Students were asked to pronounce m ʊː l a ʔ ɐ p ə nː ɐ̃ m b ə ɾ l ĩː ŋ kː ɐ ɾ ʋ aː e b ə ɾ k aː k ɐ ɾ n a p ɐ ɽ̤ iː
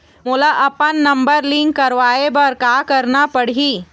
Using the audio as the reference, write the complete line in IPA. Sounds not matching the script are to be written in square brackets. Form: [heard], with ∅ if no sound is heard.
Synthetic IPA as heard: m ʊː l a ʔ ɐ p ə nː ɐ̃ m b ə ɾ l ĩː ŋ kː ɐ ɾ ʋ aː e b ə ɾ k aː k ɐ ɾ n a p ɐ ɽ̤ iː